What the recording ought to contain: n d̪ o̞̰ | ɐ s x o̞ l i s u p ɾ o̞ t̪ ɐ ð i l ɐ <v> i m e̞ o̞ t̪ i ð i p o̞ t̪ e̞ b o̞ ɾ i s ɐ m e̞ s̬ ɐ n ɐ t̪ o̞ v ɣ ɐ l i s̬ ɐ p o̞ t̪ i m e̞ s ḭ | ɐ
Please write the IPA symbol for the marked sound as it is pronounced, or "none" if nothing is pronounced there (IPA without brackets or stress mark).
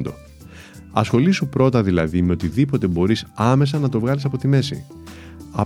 ð